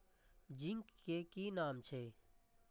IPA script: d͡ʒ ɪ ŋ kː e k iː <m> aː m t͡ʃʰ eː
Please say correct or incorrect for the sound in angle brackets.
incorrect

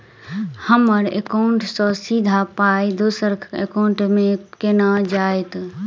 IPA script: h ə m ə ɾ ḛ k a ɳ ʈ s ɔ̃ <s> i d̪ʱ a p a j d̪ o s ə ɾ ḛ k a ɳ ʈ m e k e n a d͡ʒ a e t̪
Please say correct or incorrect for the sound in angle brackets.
correct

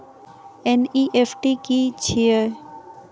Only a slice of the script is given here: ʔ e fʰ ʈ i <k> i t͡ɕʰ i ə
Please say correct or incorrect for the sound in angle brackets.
correct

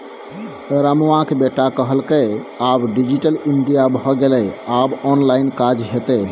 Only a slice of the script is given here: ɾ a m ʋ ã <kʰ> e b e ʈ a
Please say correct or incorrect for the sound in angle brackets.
incorrect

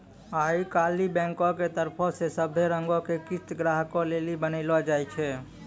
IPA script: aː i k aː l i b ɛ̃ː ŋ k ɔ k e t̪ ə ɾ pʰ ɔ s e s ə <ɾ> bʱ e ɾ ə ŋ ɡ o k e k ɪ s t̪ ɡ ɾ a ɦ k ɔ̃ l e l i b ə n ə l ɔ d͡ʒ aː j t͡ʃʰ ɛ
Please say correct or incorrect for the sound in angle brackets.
incorrect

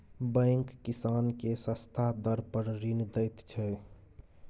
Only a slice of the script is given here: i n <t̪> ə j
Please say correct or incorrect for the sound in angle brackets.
incorrect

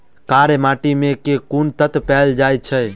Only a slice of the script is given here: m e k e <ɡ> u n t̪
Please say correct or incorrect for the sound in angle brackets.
incorrect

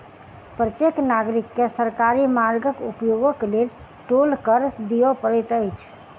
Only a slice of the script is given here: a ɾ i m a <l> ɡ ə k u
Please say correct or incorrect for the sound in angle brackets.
incorrect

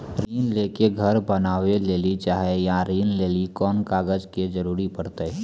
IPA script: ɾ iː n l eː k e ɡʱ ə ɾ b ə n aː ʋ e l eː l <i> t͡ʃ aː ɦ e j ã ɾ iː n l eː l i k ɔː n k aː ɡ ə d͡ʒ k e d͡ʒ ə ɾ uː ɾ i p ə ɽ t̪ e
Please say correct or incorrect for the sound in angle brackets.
correct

